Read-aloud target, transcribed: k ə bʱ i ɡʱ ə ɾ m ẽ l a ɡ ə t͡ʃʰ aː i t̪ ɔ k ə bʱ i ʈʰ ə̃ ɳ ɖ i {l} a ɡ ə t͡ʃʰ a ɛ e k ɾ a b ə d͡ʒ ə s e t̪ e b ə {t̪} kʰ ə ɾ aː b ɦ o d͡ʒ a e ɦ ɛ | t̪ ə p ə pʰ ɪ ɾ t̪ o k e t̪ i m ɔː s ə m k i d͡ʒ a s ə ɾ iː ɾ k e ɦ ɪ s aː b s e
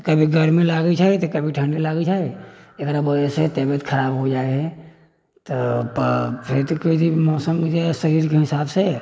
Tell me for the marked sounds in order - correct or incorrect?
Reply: correct, correct

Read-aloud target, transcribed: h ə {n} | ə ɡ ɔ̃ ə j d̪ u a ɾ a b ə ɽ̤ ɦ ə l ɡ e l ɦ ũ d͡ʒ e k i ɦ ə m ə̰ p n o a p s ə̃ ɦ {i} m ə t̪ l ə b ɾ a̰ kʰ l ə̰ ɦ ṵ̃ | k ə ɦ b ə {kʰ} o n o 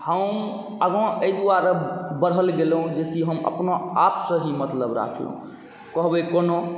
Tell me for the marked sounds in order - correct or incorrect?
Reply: incorrect: m, correct, incorrect: k

